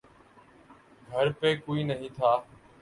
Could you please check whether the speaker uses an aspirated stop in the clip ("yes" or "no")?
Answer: yes